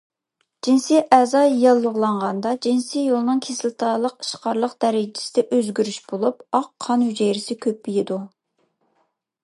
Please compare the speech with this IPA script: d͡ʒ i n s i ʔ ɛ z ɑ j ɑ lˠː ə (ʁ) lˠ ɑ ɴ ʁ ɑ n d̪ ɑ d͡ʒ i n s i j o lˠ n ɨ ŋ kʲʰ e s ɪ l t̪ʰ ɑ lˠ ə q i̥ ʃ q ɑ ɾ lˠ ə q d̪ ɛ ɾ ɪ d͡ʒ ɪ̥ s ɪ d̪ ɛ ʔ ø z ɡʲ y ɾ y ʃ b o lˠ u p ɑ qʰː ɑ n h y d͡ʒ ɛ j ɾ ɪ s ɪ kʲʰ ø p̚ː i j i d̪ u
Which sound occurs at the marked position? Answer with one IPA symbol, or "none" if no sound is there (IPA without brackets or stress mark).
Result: ʁ